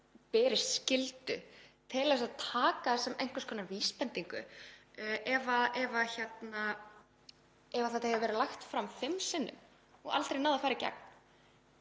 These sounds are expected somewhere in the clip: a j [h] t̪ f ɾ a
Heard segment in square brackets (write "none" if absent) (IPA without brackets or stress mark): x